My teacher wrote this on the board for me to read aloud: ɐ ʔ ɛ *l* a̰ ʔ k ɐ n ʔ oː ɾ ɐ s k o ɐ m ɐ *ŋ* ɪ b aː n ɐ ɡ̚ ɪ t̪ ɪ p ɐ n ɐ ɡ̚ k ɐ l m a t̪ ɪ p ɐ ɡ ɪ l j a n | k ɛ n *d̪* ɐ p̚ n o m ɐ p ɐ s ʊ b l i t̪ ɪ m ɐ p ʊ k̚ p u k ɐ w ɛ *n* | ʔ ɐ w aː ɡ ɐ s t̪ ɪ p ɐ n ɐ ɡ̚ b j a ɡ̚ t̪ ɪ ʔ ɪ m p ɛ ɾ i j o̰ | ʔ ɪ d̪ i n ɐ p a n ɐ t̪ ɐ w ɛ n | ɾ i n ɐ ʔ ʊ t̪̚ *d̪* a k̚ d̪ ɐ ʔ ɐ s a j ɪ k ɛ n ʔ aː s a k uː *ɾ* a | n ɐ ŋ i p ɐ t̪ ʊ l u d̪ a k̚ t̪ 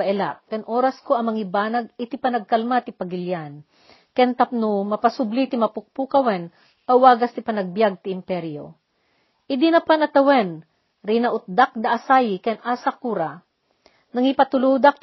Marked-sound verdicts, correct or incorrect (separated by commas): correct, correct, incorrect, correct, correct, correct